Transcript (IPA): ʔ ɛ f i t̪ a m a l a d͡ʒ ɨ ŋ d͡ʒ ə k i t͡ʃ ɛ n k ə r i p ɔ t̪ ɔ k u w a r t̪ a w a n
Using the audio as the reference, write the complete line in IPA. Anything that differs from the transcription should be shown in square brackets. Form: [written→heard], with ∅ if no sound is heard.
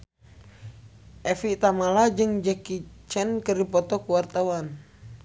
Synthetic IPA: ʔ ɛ f i t̪ a m a l a d͡ʒ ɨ ŋ d͡ʒ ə k i t͡ʃ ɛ n k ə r i p ɔ t̪ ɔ k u w a r t̪ a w a n